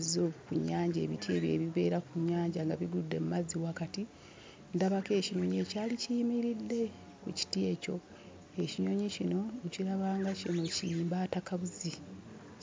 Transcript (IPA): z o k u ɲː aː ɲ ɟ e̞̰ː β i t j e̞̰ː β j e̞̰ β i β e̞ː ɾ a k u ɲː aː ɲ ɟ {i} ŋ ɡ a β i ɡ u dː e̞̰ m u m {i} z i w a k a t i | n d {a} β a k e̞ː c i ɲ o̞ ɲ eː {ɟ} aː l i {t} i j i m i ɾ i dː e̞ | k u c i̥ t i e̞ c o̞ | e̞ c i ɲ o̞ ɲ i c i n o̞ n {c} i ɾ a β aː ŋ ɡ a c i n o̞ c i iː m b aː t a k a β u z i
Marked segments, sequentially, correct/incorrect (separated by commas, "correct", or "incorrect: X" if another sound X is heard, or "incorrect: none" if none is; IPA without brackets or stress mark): incorrect: a, incorrect: a, correct, incorrect: c, incorrect: c, correct